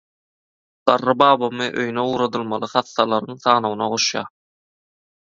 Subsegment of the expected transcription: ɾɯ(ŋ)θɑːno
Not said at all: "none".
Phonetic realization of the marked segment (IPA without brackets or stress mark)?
ŋ